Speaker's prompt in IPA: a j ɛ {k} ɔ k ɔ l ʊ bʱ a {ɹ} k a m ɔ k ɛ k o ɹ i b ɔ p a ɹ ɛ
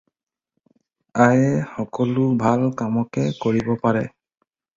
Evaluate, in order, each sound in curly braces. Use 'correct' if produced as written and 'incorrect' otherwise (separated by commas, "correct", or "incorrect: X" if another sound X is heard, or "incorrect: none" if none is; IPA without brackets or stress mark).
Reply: incorrect: x, incorrect: l